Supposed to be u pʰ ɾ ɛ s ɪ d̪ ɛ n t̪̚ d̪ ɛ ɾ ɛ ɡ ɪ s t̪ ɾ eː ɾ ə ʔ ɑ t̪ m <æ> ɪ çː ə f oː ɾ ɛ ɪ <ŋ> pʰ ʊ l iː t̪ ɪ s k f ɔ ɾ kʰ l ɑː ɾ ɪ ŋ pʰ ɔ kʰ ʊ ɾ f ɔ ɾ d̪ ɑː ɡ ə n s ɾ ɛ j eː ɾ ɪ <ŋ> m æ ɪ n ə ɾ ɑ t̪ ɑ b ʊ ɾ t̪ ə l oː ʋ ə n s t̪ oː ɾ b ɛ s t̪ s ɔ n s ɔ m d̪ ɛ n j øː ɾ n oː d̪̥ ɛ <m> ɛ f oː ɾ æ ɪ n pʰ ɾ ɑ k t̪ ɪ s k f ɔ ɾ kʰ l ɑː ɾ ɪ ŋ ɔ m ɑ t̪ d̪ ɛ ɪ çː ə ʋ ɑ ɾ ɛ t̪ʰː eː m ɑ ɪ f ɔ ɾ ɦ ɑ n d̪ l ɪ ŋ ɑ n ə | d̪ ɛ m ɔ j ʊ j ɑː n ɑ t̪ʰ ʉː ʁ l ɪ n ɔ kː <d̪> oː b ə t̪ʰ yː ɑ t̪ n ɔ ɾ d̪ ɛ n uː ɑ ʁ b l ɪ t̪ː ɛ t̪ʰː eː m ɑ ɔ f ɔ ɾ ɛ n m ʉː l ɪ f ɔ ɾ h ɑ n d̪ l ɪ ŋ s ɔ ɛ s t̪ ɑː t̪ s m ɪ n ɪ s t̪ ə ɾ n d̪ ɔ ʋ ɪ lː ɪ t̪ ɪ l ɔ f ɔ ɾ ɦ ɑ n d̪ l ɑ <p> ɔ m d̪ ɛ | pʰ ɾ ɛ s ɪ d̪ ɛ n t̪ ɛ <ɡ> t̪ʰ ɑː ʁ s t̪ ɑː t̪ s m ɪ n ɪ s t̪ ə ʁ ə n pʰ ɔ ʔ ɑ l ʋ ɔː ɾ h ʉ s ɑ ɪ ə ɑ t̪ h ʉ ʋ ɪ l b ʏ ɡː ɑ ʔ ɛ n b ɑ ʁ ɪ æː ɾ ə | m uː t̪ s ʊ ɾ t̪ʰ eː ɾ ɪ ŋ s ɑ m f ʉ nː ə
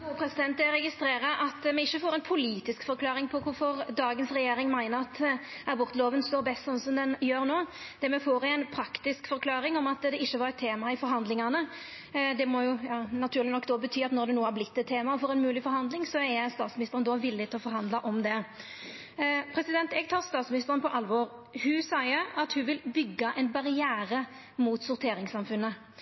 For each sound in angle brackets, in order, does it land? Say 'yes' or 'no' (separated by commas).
no, no, yes, yes, yes, no, yes